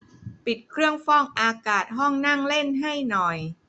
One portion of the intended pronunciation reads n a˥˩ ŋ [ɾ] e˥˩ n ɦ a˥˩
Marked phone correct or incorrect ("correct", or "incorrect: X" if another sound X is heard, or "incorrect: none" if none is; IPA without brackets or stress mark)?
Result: incorrect: l